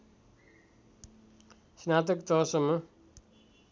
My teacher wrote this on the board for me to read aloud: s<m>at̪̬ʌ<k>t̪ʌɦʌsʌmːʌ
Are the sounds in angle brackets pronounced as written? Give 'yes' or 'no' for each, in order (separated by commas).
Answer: no, yes